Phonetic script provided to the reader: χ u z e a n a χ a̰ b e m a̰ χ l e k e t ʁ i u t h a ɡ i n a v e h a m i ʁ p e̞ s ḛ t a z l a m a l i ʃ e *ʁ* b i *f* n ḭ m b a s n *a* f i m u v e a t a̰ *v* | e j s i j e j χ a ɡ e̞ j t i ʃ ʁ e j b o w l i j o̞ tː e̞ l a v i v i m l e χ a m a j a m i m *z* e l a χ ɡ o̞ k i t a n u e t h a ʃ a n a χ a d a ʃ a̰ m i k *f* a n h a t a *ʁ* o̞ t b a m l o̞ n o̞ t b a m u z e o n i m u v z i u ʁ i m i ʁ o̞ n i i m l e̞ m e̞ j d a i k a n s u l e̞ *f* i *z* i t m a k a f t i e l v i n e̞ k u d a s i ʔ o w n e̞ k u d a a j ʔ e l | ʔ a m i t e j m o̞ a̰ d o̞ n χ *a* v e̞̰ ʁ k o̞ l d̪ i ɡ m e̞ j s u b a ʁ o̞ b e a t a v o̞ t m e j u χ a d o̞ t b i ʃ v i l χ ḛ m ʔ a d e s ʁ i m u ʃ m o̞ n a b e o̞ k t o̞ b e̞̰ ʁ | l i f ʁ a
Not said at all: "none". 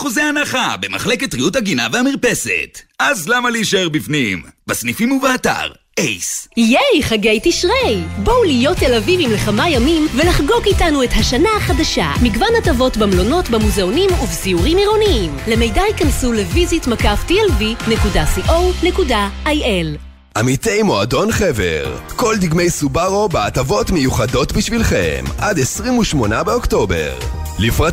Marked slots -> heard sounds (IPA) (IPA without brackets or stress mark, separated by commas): ʁ, f, i, ʁ, v, v, v, v, z, e